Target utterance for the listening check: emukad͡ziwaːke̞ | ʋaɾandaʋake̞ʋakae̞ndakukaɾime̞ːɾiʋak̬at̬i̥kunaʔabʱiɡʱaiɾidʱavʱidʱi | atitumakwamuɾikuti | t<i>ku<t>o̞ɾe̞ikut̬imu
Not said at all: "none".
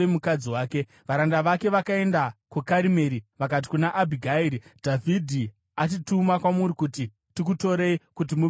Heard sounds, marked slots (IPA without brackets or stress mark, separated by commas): i, t